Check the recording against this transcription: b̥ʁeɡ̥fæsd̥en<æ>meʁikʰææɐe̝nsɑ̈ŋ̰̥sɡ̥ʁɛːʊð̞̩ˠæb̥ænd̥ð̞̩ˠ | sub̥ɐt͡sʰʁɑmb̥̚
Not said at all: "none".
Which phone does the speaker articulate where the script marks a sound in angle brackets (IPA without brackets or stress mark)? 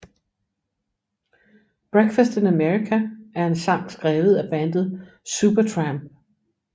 æ